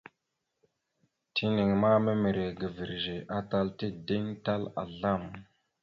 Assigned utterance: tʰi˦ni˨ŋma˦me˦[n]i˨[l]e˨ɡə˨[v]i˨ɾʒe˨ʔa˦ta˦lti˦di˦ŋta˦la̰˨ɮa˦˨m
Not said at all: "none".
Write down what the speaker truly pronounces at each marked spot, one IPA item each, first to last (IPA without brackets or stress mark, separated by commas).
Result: m, ɾ, v